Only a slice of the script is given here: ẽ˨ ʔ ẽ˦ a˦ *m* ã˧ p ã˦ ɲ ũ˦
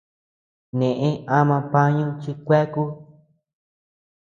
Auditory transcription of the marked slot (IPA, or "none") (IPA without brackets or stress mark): m